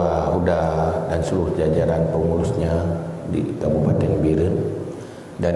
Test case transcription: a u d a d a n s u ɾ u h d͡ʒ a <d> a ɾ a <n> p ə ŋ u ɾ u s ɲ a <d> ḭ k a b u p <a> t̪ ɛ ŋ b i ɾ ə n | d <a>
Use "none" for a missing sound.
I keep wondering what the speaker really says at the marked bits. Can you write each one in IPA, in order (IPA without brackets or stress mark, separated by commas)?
d͡ʒ, n, d, a, a